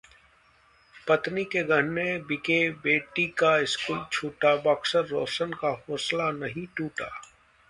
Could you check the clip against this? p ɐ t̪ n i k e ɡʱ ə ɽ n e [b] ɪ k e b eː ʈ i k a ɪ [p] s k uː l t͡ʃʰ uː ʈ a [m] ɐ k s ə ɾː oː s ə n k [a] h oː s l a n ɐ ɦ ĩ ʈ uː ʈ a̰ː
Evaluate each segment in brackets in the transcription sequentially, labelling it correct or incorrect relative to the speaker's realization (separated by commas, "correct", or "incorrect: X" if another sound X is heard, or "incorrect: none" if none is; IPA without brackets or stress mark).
correct, incorrect: none, incorrect: b, correct